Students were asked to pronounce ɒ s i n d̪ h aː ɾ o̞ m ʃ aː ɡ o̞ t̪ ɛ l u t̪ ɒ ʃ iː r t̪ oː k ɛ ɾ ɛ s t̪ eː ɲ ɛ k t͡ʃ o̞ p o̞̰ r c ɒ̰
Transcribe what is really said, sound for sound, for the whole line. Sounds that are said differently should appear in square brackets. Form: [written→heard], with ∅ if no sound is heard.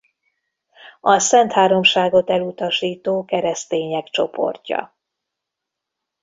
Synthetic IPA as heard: ɒ s [i→ɛ] n [d̪→t̪] h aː ɾ o̞ m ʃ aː ɡ o̞ t̪ ɛ l u t̪ ɒ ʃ iː [r→∅] t̪ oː k ɛ ɾ ɛ s t̪ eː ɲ ɛ k t͡ʃ o̞ p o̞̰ r c ɒ̰